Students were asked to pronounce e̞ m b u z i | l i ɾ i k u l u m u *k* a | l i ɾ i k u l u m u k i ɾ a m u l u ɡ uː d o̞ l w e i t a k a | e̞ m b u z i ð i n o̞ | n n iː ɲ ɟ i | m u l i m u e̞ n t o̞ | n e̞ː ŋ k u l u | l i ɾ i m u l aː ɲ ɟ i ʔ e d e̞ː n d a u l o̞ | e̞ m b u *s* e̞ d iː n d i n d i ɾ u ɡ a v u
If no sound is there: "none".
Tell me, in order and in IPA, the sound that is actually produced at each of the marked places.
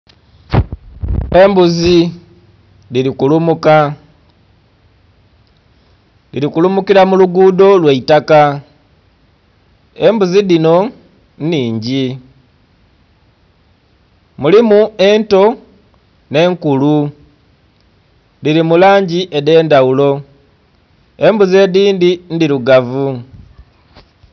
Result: k, z

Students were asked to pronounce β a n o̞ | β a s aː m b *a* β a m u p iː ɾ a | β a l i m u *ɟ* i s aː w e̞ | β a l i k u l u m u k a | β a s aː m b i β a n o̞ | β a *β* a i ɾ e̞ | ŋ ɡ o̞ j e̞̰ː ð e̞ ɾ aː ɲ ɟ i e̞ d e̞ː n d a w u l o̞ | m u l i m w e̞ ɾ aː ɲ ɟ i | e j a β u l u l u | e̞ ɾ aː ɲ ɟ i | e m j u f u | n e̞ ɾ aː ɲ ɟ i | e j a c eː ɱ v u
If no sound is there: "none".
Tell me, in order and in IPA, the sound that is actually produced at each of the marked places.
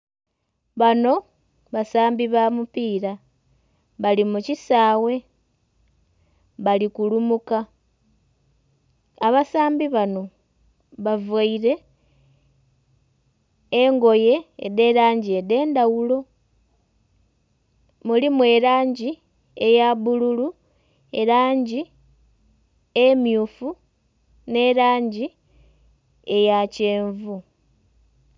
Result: i, c, v

